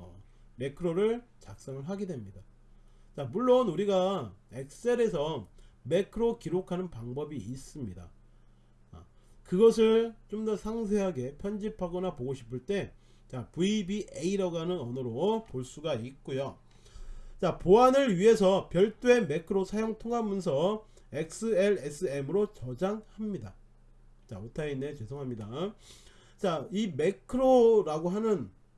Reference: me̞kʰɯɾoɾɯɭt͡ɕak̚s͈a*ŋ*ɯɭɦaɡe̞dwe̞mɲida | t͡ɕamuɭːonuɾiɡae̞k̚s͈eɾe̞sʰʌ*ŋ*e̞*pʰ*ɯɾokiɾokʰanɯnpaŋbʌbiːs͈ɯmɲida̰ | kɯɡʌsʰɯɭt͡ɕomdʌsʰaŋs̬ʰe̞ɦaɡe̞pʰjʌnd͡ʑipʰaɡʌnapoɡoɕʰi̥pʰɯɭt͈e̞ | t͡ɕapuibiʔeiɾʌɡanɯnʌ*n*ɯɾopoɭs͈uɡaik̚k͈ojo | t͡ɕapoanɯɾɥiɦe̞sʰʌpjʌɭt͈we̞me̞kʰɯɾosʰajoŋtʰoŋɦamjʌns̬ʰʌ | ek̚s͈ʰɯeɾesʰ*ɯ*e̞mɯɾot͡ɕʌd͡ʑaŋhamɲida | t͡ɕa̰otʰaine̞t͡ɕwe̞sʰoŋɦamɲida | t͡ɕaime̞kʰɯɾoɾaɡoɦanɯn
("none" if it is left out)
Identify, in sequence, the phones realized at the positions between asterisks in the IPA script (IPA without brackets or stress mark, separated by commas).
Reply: ŋ, m, kʰ, n, ɯ